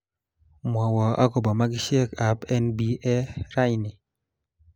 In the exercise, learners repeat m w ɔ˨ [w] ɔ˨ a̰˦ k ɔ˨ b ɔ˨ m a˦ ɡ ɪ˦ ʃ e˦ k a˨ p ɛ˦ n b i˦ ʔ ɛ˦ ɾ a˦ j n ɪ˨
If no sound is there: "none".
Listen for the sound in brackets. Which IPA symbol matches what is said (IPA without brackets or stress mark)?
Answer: w